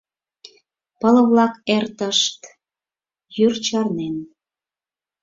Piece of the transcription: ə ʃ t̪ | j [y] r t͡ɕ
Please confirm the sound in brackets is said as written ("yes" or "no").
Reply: yes